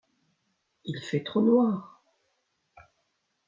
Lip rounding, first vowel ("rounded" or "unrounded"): unrounded